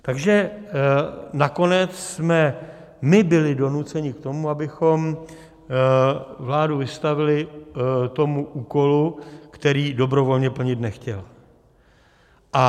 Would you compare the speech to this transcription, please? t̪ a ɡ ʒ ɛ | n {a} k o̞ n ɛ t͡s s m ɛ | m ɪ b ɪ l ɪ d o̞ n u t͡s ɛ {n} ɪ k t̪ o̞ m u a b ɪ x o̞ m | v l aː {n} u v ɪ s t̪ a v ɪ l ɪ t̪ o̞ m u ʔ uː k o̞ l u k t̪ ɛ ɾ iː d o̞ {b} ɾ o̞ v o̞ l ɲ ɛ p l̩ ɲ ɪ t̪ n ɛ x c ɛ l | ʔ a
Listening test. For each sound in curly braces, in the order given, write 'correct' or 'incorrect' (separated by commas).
correct, incorrect, incorrect, correct